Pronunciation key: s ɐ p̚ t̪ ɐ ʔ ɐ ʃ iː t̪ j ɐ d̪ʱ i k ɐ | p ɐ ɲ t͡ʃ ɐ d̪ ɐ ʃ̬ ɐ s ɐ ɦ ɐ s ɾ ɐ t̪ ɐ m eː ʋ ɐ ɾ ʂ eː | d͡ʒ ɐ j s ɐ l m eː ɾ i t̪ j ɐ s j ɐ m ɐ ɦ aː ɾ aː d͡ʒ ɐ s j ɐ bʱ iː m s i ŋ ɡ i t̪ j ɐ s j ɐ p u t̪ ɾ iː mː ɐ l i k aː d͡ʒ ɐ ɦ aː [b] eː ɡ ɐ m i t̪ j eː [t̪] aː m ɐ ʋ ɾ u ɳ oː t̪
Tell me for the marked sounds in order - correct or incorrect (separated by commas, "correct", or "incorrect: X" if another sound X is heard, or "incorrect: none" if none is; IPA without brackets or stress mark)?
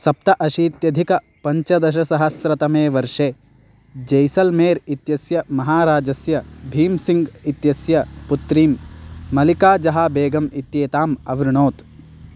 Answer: correct, correct